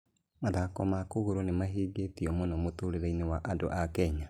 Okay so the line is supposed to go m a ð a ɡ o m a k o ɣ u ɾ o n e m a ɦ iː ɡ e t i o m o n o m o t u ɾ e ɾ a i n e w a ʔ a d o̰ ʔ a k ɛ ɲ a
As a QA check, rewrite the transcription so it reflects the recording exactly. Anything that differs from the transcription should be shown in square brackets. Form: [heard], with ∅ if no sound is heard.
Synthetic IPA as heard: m a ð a [k] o m a k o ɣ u ɾ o n e m a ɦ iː ɡ e t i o m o n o m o t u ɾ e ɾ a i n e w a ʔ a d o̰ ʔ a k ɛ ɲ a